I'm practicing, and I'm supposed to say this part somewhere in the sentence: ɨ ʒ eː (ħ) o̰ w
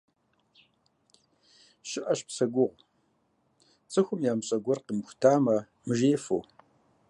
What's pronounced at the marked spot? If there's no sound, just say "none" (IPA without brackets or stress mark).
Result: f